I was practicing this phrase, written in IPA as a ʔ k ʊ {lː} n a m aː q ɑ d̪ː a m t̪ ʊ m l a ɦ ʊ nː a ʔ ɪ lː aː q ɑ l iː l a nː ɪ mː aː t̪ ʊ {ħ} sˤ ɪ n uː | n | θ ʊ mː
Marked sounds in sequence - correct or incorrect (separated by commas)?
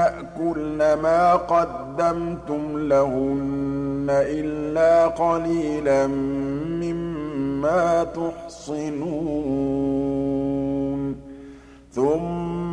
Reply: incorrect, correct